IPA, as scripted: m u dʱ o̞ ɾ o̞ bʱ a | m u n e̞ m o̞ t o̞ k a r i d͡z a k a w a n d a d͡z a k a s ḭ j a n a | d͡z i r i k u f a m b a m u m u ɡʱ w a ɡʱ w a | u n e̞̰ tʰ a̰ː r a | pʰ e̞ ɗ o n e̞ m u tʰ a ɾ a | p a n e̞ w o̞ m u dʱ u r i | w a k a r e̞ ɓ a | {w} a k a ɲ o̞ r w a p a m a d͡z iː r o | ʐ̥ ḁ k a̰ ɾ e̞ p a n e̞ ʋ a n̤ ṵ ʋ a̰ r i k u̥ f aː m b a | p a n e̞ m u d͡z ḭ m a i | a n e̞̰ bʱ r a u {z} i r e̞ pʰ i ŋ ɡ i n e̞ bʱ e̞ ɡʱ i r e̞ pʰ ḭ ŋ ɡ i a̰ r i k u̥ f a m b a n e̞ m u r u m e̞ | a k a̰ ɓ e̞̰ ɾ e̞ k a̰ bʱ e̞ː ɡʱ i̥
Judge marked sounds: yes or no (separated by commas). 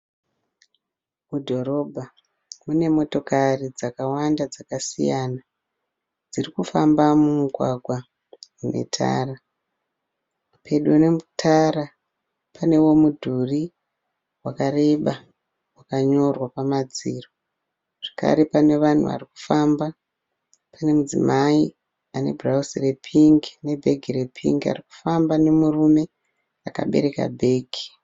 yes, no